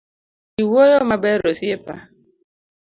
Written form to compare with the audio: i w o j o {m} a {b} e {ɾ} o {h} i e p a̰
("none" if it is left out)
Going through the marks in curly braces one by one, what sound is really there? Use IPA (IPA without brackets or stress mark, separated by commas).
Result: m, b, ɾ, s